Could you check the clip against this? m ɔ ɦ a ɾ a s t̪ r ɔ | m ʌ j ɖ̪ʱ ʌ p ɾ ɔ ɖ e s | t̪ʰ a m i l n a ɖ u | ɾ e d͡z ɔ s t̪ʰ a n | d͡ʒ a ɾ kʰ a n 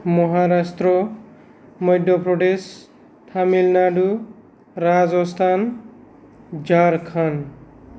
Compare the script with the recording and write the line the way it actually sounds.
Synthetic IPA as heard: m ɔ ɦ a ɾ a s t̪ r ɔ | m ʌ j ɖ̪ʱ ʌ p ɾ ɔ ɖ e s | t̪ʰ a m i l n a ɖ u | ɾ a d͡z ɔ s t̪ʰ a n | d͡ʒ a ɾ kʰ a n